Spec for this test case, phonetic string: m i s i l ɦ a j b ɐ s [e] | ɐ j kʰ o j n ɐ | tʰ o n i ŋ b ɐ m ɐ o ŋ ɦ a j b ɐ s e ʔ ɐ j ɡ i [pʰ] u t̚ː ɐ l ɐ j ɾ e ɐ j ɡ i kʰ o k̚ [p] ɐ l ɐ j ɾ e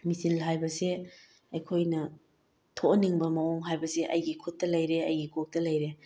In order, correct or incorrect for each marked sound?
correct, incorrect: kʰ, incorrect: t

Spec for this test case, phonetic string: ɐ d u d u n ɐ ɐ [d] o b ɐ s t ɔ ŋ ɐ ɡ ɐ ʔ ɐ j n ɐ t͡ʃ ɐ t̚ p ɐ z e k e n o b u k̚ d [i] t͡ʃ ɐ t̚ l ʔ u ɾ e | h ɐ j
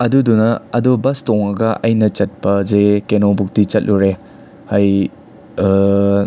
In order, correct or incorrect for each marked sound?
correct, correct

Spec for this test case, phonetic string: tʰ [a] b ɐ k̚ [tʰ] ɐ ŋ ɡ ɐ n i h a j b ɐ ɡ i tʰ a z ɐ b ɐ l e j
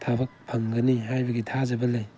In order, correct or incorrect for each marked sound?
correct, incorrect: pʰ

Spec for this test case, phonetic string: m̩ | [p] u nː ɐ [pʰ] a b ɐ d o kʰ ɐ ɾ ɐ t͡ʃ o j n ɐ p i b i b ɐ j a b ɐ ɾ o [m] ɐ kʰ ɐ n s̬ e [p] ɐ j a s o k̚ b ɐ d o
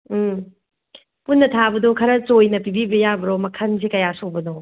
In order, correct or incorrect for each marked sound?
correct, incorrect: tʰ, correct, incorrect: k

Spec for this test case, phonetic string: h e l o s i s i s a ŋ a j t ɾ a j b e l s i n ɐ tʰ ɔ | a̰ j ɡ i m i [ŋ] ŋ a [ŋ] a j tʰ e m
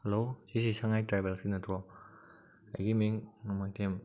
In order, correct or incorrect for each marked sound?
correct, incorrect: m

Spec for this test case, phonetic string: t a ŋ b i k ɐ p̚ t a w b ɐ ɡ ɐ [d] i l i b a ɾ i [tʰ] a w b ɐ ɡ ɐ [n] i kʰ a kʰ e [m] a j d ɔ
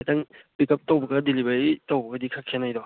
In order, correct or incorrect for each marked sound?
correct, incorrect: t, incorrect: d, incorrect: n

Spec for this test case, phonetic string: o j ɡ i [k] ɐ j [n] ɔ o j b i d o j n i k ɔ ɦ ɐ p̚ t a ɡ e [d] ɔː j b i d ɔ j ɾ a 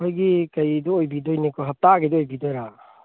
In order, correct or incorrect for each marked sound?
correct, incorrect: d, correct

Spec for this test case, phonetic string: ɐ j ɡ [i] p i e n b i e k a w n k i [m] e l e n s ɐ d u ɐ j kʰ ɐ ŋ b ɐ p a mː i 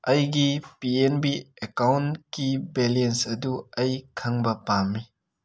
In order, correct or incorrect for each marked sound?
correct, incorrect: b

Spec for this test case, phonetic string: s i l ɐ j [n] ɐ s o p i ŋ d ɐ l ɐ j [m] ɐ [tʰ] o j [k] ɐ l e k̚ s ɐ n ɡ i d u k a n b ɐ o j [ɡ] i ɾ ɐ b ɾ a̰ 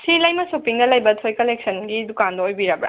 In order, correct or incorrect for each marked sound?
incorrect: m, incorrect: b, correct, correct, incorrect: b

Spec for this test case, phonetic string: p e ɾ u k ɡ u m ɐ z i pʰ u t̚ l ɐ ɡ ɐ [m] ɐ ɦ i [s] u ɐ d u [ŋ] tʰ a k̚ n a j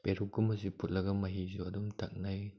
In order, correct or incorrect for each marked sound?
correct, incorrect: z, incorrect: m

